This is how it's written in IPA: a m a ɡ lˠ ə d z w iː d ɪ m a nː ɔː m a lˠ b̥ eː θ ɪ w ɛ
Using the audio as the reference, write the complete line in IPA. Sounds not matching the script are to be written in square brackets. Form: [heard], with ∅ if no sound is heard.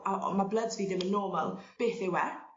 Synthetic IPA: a m a [b] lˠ ə d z [v] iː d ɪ m [ə] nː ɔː m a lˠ b̥ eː θ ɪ w ɛ